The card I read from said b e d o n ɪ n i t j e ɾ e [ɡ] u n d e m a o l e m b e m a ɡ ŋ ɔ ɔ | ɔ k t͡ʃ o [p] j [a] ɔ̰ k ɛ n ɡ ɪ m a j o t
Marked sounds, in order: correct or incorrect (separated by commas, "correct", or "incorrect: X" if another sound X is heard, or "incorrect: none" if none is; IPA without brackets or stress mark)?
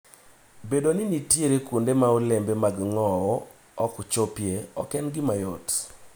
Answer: incorrect: k, correct, incorrect: e